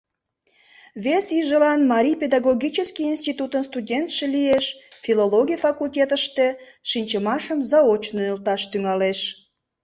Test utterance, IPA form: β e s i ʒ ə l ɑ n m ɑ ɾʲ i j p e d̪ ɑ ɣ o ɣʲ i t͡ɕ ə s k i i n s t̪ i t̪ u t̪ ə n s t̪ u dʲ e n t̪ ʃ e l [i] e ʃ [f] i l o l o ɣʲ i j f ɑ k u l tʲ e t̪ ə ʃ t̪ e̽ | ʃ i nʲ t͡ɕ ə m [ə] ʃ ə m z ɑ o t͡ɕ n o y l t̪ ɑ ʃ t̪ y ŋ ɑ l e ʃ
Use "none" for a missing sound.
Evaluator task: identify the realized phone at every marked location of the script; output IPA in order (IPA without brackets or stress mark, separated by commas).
i, f, ɑ